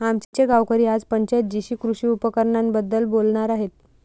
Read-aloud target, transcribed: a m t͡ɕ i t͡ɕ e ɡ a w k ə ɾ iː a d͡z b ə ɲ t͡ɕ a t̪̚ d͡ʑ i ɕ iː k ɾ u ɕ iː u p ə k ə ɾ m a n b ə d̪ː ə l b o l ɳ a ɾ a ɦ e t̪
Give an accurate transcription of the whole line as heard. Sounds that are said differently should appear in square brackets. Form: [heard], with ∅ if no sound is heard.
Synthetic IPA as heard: a m t͡ɕ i t͡ɕ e ɡ a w k ə ɾ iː a d͡z [p] ə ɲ t͡ɕ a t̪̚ d͡ʑ i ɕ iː k ɾ u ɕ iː u p ə k ə ɾ [ɳ] a n b ə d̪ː ə l b o l ɳ a ɾ a ɦ e t̪